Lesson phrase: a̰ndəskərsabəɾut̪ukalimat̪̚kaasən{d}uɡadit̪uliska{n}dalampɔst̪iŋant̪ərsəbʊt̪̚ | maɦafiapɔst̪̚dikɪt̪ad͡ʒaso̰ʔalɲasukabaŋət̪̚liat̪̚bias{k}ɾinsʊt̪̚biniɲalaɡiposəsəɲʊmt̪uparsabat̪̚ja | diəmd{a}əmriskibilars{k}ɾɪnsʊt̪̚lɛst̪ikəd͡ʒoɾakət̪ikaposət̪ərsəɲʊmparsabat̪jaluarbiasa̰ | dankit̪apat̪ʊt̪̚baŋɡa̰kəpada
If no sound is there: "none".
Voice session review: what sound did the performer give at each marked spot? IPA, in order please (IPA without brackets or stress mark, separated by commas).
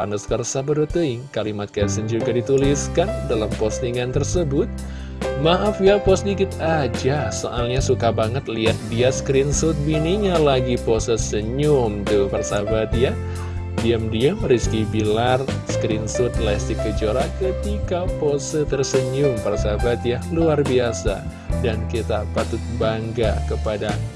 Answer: d͡ʒ, n, k, i, k